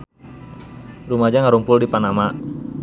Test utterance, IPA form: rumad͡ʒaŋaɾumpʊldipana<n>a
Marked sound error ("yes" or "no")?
yes